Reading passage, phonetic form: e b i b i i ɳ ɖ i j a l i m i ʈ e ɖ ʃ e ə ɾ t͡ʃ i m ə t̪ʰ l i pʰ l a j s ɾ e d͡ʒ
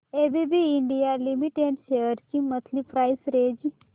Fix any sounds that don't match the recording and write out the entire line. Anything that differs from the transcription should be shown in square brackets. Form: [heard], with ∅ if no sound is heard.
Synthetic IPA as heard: e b i b i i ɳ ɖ i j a l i m i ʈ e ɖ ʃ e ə ɾ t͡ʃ i m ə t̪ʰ l i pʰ [ɾ] a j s ɾ e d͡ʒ